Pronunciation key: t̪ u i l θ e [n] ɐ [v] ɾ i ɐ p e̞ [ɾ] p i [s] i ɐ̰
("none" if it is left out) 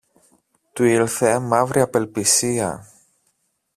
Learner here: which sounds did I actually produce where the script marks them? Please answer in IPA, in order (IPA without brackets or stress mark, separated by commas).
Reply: m, v, l, s